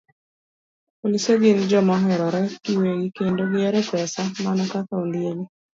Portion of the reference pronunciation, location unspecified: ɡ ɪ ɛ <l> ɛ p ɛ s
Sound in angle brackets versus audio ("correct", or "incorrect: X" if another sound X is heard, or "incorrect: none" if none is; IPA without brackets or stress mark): incorrect: ɾ